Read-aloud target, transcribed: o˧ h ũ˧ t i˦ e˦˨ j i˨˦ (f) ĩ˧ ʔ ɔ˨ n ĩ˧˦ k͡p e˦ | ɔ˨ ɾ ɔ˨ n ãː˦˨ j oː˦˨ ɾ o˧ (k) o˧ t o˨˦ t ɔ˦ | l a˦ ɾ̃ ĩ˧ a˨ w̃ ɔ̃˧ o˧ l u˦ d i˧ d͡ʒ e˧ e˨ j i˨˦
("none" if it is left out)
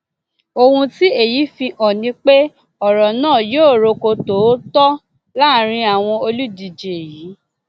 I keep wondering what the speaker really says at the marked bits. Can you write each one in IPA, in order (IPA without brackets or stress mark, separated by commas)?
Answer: f, k